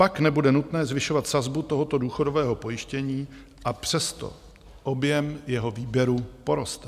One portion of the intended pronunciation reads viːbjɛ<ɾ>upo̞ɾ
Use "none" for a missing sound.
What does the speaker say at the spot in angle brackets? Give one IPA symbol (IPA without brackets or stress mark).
ɾ